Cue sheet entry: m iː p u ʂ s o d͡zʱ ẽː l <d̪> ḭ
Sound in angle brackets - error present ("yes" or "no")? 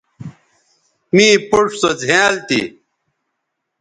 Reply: yes